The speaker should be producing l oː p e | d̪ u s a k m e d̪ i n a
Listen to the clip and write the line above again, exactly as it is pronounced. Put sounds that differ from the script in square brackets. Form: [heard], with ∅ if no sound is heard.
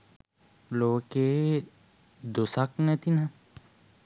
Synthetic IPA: l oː [k] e | d̪ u s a k [n] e [t̪] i n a